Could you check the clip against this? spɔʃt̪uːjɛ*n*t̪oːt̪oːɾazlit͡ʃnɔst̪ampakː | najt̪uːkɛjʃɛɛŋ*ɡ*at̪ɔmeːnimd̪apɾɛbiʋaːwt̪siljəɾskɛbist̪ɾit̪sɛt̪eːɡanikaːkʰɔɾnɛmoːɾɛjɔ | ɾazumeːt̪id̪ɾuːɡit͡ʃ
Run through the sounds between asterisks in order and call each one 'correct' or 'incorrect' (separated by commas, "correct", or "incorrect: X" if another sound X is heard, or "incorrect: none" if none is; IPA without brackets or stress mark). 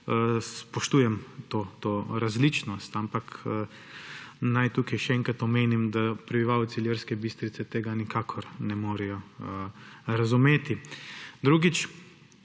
incorrect: m, incorrect: k